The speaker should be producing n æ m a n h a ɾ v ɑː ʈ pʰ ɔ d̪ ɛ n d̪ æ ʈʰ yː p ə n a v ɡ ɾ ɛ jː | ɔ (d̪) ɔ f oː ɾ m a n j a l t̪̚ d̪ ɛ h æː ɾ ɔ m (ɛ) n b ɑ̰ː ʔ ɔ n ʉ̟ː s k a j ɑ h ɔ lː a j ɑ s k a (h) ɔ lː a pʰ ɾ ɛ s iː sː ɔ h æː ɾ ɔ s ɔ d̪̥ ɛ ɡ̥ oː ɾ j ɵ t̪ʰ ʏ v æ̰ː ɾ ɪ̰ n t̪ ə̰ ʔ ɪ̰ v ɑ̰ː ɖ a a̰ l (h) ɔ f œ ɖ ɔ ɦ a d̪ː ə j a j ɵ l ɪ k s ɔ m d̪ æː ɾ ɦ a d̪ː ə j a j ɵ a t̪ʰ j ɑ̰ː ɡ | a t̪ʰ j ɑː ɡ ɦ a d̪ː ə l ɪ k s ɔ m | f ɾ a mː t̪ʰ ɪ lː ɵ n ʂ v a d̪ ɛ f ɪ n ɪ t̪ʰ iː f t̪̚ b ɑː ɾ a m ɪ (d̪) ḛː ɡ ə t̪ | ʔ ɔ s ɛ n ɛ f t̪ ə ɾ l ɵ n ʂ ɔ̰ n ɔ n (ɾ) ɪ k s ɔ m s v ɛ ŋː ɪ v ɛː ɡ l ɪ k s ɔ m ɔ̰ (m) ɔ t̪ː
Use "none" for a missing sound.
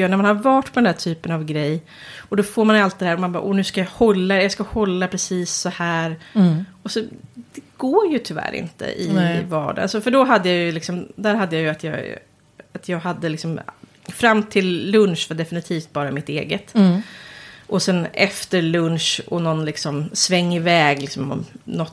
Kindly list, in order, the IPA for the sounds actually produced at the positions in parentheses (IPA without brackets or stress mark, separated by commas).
d̪, a, h, s, t̪, l, n